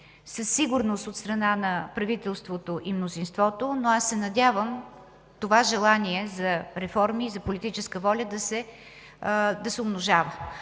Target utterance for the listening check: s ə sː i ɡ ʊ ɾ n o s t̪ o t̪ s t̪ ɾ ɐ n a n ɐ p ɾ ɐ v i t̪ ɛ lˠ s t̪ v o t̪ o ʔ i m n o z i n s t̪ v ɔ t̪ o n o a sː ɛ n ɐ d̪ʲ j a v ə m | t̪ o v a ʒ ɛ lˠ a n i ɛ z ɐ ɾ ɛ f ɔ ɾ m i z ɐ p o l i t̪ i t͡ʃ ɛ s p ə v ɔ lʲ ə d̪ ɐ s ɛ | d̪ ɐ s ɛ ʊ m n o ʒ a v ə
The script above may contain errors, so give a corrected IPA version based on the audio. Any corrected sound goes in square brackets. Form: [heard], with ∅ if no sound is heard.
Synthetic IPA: s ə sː i ɡ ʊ ɾ n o s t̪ o t̪ s t̪ ɾ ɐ n a n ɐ p ɾ ɐ v i t̪ ɛ lˠ s t̪ v o t̪ o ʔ i m n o z i n s t̪ v ɔ t̪ o n o a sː ɛ n ɐ d̪ʲ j a v ə m | t̪ o v a ʒ ɛ lˠ a n i ɛ z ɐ ɾ ɛ f ɔ ɾ m i z ɐ p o l i t̪ i t͡ʃ ɛ s [k] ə v ɔ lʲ ə d̪ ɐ s ɛ | d̪ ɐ s ɛ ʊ m n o ʒ a v ə